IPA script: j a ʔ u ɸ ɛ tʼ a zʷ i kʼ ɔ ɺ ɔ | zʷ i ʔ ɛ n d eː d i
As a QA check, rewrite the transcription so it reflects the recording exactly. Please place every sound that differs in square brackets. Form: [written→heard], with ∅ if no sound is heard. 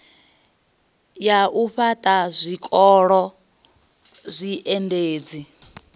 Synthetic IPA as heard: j a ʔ u ɸ [ɛ→a] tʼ a zʷ i kʼ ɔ ɺ ɔ | zʷ i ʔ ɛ n d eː [d→d͡z] i

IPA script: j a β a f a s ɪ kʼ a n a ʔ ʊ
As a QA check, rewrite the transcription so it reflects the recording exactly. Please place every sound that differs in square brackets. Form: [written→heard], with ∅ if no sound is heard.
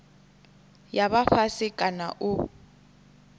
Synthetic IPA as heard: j a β a f a s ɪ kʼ a n a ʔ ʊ

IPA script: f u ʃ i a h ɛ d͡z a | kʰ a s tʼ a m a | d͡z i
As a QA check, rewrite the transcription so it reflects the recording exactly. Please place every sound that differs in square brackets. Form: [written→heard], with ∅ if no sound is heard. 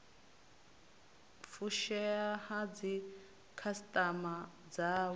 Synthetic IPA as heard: f u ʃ [i→ɛ] a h [ɛ→a] d͡z [a→i] | kʰ a s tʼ a m a | d͡z [i→a]

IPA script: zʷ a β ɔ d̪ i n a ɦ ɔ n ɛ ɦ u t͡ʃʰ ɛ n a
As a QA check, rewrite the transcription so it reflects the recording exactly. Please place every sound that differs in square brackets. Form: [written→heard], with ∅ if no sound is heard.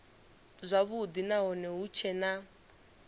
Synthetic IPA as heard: zʷ a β [ɔ→u] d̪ i n a ɦ ɔ n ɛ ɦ u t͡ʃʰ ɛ n a

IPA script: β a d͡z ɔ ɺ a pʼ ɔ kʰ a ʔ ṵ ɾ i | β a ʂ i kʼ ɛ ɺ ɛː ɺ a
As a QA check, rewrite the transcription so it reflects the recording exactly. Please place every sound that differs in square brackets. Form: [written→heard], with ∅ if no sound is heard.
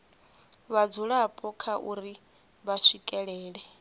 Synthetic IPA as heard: β a d͡z [ɔ→u] ɺ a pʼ ɔ kʰ a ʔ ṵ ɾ i | β a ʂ i kʼ ɛ ɺ ɛː ɺ [a→ɛ]

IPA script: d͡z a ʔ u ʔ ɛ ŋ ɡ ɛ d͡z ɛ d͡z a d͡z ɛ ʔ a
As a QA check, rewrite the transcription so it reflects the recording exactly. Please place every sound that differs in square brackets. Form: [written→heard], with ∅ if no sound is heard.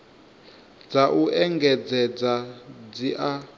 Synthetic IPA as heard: d͡z a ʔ u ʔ ɛ ŋ ɡ ɛ d͡z ɛ d͡z a d͡z [ɛ→i] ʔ a

